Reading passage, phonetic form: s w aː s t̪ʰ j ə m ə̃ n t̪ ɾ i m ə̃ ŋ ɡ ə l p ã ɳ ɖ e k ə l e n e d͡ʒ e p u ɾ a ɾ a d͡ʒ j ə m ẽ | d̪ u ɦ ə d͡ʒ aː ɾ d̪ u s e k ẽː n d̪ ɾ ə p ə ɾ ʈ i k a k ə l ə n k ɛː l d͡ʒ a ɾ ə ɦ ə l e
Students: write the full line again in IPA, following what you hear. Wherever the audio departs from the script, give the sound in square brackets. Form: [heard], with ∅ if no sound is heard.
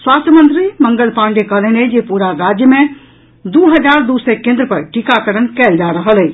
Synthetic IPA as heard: s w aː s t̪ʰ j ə m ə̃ n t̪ ɾ i m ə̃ ŋ ɡ ə l p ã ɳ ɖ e k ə l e n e d͡ʒ e p u ɾ a ɾ a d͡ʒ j ə m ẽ | d̪ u ɦ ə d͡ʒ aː ɾ d̪ u s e k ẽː n d̪ ɾ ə p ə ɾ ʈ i k a k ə [ɾ] ə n k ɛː l d͡ʒ a ɾ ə ɦ ə l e